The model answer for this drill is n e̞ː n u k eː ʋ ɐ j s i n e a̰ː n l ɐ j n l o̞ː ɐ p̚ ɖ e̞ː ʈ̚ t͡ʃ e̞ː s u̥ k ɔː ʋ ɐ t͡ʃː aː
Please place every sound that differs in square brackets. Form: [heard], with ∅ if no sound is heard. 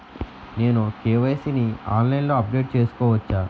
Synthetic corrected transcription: n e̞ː n u k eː ʋ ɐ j s i n [i] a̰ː n l ɐ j n l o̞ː ɐ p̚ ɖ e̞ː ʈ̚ t͡ʃ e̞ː s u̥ k ɔː ʋ ɐ t͡ʃː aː